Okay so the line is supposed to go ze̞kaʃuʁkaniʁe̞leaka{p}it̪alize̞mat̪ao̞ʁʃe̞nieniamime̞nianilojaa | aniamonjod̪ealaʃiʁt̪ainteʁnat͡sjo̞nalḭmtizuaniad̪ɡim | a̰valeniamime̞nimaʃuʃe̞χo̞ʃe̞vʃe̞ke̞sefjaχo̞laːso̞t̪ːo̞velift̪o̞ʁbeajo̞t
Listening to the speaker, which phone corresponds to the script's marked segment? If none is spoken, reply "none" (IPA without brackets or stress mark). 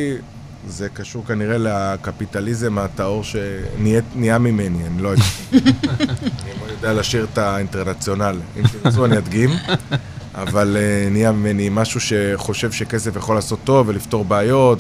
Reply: p